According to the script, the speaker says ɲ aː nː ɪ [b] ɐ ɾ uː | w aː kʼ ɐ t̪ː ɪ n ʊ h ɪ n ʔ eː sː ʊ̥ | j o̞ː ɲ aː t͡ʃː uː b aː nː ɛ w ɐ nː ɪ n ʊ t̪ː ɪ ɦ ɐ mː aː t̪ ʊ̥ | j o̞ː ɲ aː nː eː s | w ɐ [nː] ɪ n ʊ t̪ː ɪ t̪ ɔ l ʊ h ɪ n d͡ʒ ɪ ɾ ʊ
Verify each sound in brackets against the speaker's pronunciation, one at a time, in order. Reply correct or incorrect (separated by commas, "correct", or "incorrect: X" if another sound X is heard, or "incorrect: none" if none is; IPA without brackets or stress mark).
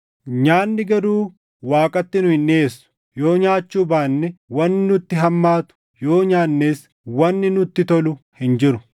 incorrect: ɡ, correct